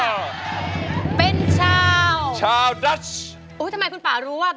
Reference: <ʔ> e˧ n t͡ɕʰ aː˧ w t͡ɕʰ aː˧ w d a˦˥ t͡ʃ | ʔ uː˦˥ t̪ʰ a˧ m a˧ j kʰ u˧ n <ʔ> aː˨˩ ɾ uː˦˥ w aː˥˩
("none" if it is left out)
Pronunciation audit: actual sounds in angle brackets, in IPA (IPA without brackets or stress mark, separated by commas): p, p